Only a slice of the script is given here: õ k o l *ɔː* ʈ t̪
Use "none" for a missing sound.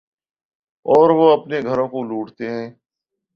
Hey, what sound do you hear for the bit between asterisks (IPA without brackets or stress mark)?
uː